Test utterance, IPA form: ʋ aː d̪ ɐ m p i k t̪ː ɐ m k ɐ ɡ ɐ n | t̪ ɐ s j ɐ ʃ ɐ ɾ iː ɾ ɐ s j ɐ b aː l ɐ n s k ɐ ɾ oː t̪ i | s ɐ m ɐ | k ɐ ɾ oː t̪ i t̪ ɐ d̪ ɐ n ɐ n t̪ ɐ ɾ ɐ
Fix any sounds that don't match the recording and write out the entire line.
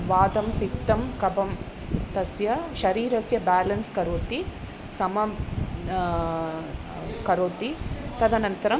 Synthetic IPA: ʋ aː d̪ ɐ m p i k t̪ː ɐ m k ɐ b ɐ m | t̪ ɐ s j ɐ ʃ ɐ ɾ iː ɾ ɐ s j ɐ b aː l ɐ n s k ɐ ɾ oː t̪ i | s ɐ m ɐ | k ɐ ɾ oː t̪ i t̪ ɐ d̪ ɐ n ɐ n t̪ ɐ ɾ ɐ